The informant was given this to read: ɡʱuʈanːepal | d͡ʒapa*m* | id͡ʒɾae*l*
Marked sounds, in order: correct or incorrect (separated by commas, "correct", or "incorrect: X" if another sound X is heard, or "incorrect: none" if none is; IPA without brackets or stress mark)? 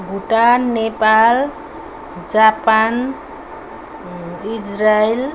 incorrect: n, correct